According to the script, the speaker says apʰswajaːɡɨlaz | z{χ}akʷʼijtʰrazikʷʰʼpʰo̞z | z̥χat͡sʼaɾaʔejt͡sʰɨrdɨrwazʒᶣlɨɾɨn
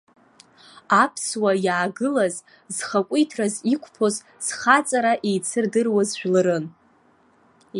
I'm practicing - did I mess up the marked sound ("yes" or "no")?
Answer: no